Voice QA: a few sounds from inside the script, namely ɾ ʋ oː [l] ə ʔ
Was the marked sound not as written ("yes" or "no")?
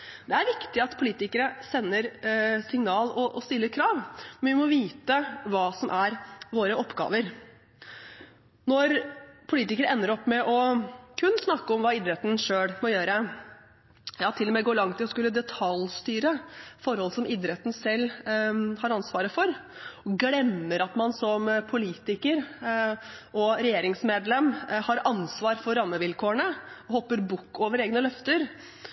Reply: yes